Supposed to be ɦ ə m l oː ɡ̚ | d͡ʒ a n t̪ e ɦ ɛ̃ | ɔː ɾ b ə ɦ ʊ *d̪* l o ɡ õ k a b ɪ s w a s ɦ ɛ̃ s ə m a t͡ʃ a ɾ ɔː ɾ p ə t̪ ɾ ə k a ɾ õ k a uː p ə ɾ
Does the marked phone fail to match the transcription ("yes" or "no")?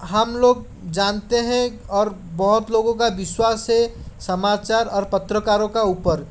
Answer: yes